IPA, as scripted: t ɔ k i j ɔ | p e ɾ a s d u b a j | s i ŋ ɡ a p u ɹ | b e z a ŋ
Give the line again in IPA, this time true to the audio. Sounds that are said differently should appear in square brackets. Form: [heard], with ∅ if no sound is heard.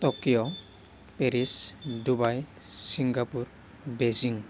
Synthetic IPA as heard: t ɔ k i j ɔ | p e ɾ [i] s d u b a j | s i ŋ ɡ a p u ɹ | b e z [i] ŋ